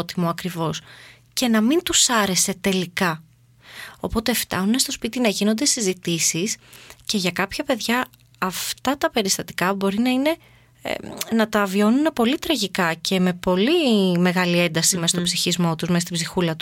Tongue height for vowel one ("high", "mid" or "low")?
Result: high